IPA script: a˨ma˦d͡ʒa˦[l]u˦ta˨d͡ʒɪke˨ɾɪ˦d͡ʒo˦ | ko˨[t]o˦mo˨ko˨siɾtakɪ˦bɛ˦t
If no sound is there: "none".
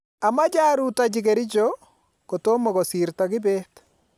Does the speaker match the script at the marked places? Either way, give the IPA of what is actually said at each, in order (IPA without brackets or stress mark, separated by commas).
ɾ, t